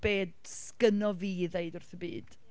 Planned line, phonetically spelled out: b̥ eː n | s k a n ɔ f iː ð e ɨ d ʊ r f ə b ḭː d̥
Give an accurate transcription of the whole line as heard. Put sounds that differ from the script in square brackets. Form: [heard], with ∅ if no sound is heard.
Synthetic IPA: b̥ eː [d] | s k [ə] n ɔ [v] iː ð e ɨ d ʊ r [θ] ə b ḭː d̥